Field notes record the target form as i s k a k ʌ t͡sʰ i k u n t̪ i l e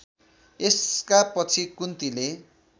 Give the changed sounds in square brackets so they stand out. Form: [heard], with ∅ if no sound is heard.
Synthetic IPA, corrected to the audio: [e] s k a [p] ʌ t͡sʰ i k u n t̪ i l e